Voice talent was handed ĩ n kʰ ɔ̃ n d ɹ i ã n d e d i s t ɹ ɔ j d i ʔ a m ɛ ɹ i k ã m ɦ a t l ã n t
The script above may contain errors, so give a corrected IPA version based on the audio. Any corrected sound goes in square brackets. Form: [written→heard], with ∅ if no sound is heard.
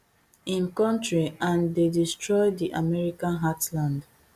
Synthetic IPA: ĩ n [kʰ→k] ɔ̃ n [d→t] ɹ i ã n d e d i s t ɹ ɔ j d i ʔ a m ɛ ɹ i k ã [m→n] ɦ a t l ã n [t→d]